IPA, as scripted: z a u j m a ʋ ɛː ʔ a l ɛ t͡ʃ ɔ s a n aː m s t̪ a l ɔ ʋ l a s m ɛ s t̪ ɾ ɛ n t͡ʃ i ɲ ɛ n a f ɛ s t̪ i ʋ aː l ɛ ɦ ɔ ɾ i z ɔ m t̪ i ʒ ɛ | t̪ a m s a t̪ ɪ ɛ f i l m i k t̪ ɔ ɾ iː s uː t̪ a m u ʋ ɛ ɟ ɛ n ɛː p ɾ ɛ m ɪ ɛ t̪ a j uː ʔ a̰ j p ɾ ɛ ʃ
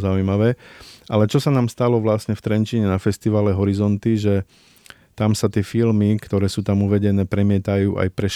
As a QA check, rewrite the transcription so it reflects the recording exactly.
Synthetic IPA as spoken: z a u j m a ʋ ɛː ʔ a l ɛ t͡ʃ ɔ s a n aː m s t̪ a l ɔ ʋ l a s ɲ ɛ f t̪ ɾ ɛ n t͡ʃ i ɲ ɛ n a f ɛ s t̪ i ʋ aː l ɛ ɦ ɔ ɾ i z ɔ n t̪ i ʒ ɛ | t̪ a m s a t̪ ɪ ɛ f i l m i k t̪ ɔ ɾ ɛː s uː t̪ a m u ʋ ɛ ɟ ɛ n ɛː p ɾ ɛ m ɪ ɛ t̪ a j uː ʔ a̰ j p ɾ ɛ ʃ